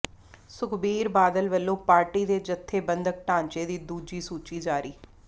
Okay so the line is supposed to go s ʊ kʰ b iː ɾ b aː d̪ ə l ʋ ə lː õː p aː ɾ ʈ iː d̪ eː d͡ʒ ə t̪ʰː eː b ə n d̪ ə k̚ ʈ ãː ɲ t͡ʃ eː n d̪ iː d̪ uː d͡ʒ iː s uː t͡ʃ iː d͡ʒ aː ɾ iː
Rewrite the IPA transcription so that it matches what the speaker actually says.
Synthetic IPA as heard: s ʊ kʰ b iː ɾ b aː d̪ ə l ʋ ə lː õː p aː ɾ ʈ iː d̪ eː d͡ʒ ə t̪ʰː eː b ə n d̪ ə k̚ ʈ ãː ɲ t͡ʃ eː d̪ iː d̪ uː d͡ʒ iː s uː t͡ʃ iː d͡ʒ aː ɾ iː